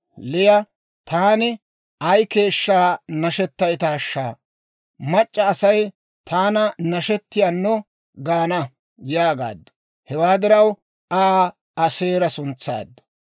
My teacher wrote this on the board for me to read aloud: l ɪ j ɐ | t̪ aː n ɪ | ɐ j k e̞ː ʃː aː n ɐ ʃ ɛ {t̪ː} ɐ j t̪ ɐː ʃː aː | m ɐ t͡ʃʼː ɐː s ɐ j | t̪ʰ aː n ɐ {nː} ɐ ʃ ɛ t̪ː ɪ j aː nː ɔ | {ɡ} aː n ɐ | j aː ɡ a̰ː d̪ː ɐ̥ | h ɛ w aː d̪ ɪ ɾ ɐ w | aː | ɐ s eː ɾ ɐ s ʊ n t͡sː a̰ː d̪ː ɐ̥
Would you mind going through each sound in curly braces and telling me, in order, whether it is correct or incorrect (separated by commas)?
correct, incorrect, correct